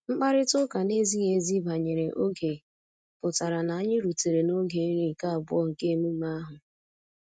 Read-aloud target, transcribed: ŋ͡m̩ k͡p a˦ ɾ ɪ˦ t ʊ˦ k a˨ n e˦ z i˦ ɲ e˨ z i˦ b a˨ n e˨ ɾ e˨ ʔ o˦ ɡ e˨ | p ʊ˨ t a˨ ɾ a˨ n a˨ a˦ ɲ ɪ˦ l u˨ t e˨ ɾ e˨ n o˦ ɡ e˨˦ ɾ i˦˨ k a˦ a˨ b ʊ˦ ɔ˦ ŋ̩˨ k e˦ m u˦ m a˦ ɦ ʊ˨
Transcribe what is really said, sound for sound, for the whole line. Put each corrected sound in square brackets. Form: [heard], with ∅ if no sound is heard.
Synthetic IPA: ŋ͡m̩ k͡p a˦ ɾ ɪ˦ t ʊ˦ k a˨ n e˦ z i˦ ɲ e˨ z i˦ b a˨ [ɲ] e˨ ɾ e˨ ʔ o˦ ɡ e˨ | p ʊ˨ t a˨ ɾ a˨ n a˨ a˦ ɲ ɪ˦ [ɾ] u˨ t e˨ ɾ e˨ n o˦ ɡ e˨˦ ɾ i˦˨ k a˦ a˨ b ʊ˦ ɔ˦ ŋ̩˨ k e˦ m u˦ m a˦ ɦ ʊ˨